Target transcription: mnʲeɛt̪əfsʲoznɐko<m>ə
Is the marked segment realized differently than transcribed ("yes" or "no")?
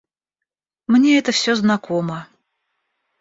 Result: no